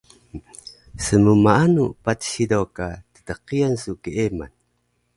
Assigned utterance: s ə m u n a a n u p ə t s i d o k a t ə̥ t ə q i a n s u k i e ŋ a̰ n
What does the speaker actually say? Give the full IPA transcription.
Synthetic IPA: s ə m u m a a n u p a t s i d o k a t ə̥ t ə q i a n s u k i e m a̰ n